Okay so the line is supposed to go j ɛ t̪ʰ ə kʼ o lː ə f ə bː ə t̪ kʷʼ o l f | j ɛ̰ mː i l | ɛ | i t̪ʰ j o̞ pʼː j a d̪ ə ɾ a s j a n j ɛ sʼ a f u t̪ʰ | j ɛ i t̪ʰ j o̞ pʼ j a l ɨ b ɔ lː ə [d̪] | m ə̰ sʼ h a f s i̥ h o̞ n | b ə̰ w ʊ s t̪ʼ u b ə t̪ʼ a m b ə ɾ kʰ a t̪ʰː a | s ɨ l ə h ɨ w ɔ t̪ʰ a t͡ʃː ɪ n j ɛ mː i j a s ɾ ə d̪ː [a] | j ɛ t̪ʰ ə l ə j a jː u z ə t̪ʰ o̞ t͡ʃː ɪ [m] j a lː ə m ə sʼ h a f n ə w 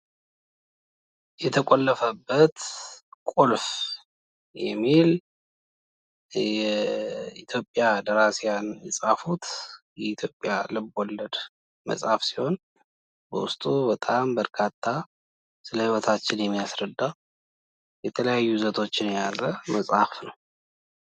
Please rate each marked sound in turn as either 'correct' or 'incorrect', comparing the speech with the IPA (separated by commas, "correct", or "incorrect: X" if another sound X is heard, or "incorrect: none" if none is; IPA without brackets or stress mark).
correct, correct, incorrect: n